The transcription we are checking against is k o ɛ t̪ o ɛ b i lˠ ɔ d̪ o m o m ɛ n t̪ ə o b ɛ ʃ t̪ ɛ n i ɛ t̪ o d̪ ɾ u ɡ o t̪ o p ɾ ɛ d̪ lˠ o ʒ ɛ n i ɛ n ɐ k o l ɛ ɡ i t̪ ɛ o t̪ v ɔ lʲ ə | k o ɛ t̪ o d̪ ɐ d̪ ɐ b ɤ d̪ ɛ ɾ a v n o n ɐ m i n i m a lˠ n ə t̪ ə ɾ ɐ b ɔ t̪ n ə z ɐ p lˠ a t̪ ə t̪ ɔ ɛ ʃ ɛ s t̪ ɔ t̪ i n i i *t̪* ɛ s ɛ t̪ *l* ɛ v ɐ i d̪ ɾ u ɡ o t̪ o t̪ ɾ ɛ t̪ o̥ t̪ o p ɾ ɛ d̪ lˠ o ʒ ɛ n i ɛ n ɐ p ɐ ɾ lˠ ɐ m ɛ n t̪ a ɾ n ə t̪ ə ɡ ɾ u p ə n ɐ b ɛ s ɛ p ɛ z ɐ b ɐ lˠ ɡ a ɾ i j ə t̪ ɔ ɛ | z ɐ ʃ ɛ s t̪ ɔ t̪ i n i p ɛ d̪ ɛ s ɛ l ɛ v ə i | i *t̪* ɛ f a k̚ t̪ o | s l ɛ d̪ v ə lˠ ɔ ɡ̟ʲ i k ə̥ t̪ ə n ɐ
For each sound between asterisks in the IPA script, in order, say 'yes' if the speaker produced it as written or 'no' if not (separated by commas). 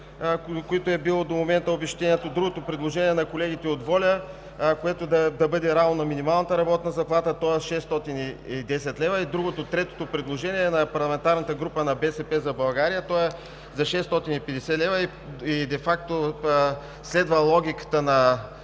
no, yes, no